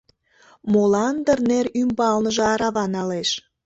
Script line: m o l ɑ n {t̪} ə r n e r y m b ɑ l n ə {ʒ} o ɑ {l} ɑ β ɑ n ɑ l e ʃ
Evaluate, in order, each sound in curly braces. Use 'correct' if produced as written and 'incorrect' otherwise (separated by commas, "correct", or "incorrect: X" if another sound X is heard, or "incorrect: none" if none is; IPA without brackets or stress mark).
incorrect: d̪, correct, incorrect: ɾ